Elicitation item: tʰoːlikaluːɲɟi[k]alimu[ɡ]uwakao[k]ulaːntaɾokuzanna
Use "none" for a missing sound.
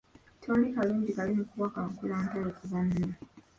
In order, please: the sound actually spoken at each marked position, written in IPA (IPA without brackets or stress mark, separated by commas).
k, k, k